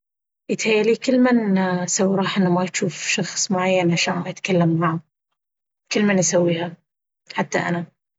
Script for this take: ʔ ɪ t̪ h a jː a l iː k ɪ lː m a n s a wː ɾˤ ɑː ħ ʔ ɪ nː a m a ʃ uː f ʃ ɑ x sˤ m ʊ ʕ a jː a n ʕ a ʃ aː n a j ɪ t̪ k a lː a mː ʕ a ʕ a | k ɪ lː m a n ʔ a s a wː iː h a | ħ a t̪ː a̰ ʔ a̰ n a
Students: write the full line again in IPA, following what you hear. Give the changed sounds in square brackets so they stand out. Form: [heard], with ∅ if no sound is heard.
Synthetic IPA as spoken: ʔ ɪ t̪ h a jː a l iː k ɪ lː m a n s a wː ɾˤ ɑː ħ ʔ ɪ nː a m a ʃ uː f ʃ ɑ x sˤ m ʊ ʕ a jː a n ʕ a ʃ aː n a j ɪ t̪ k a lː a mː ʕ a ʕ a | k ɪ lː m a n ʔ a s a wː iː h a | ħ a t̪ː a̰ ʔ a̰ n a